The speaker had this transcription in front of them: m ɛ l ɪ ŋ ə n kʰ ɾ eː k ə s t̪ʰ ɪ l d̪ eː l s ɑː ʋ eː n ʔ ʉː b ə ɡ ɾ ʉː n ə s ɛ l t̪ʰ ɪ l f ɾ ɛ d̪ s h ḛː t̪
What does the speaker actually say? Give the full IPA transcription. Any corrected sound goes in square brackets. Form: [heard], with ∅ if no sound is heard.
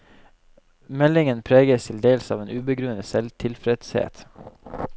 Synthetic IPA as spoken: m ɛ l ɪ ŋ ə n [pʰ] ɾ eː [ɡ] ə s t̪ʰ ɪ l d̪ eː l s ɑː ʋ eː n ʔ ʉː b ə ɡ ɾ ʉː n ə s ɛ l t̪ʰ ɪ l f ɾ ɛ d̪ s h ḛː t̪